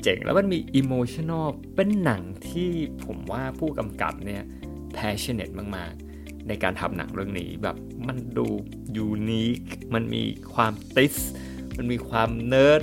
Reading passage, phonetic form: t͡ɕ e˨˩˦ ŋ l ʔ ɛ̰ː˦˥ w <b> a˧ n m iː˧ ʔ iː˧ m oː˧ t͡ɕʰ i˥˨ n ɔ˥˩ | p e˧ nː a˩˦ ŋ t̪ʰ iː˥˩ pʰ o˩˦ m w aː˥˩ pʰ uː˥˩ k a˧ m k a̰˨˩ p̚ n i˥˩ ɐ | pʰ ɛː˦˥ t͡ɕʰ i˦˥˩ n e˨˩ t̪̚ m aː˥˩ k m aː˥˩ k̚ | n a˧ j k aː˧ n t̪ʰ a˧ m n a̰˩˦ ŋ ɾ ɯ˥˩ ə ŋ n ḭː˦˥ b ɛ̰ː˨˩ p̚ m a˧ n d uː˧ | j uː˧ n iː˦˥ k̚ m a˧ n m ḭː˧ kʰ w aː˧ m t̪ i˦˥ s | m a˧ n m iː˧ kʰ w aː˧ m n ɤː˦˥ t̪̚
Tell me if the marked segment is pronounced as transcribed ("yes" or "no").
no